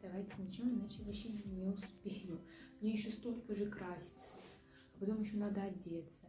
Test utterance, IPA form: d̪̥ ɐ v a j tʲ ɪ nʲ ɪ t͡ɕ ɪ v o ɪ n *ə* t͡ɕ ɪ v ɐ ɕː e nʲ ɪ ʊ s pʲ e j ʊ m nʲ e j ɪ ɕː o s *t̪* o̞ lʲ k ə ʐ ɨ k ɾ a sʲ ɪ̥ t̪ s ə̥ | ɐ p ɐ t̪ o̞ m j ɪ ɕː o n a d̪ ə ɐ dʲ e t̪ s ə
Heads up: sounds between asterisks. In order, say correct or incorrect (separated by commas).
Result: incorrect, correct